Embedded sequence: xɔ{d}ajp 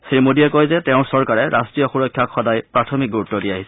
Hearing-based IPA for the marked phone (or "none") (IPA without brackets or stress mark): d